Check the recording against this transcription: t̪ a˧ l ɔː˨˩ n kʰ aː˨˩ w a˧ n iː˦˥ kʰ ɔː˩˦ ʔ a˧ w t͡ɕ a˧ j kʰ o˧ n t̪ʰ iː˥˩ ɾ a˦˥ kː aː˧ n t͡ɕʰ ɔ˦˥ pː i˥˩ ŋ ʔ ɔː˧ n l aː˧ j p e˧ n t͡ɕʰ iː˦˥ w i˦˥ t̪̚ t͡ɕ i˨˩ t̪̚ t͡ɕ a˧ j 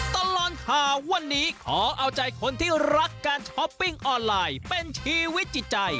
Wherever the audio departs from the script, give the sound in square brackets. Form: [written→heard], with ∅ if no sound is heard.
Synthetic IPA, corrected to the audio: t̪ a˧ l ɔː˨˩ n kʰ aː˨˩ w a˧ [n→nː] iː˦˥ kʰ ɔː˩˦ ʔ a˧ w t͡ɕ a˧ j kʰ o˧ n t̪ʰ iː˥˩ ɾ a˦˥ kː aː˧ n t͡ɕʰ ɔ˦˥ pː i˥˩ ŋ ʔ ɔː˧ n l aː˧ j p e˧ n t͡ɕʰ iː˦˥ w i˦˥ t̪̚ t͡ɕ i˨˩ t̪̚ t͡ɕ a˧ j

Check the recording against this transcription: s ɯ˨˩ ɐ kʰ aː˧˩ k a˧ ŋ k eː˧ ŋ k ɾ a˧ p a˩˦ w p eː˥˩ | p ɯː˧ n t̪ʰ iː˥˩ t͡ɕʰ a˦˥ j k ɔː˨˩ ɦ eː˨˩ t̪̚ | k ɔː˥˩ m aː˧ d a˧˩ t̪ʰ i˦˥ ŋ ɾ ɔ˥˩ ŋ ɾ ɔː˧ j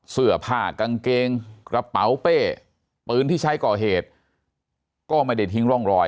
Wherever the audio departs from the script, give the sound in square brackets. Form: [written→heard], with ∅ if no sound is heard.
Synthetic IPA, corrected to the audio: s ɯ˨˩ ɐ [kʰ→pʰ] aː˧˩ k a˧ ŋ k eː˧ ŋ k ɾ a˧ p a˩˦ w p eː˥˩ | p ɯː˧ n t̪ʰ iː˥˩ t͡ɕʰ a˦˥ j k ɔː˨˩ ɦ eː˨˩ t̪̚ | k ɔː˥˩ m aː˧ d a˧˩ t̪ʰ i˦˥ ŋ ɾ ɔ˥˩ ŋ ɾ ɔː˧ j

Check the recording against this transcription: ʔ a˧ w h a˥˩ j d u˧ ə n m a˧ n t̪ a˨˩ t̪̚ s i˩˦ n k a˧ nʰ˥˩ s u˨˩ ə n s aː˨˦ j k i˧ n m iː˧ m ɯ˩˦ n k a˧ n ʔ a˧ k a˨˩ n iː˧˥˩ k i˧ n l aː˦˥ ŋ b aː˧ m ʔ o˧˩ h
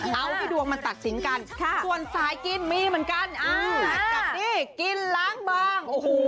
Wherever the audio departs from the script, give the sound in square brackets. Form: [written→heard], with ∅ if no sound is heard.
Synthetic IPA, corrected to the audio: ʔ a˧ w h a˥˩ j d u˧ ə [n→ŋ] m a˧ n t̪ a˨˩ t̪̚ s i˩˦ n k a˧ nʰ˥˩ s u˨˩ ə n s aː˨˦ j k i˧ n m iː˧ m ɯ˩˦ n k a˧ n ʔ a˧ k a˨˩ n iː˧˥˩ k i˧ n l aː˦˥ ŋ b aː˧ [m→ŋ] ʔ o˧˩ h

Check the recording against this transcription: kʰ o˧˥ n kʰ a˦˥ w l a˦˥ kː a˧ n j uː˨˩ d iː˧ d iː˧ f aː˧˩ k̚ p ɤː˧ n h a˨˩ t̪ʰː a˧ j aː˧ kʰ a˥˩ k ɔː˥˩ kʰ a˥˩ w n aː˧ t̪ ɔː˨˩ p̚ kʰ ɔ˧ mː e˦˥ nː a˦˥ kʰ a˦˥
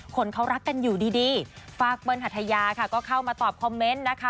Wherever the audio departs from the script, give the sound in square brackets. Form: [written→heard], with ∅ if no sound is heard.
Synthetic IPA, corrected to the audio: kʰ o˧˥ n kʰ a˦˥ w [l→ɾ] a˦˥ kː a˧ n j uː˨˩ d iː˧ d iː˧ f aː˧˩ k̚ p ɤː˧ n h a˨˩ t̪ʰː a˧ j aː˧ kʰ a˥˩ k ɔː˥˩ kʰ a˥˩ w [n→m] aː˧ t̪ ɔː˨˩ p̚ kʰ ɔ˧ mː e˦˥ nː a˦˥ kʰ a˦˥

